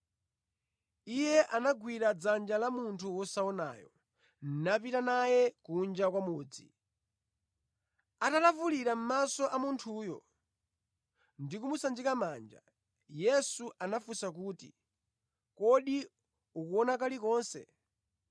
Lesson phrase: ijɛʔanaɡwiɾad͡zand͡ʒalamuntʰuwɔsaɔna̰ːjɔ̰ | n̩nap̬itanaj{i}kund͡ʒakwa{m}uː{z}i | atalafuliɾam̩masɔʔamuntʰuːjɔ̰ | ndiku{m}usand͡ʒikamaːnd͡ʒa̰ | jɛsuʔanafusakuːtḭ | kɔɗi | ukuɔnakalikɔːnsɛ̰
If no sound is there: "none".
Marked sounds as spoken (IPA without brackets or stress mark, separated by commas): ɛ, m, d͡z, m